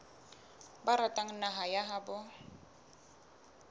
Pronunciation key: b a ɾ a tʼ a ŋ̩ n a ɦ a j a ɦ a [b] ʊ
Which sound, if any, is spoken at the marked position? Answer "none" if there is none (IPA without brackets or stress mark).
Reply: b